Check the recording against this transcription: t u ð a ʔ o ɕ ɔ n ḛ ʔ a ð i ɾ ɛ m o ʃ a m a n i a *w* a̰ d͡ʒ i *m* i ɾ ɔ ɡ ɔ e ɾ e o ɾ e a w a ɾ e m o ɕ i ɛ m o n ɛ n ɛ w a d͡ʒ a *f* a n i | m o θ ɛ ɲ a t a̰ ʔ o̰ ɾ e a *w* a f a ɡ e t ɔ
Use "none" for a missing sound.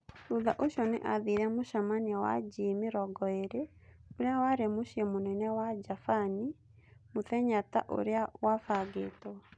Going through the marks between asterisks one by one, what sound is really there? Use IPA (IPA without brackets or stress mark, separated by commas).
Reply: w, m, f, w